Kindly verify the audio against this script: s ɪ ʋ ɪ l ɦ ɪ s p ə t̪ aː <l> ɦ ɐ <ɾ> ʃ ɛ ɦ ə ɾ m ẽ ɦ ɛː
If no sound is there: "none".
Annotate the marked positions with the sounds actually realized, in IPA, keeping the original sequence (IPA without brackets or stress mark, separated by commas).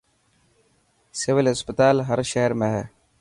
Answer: l, ɾ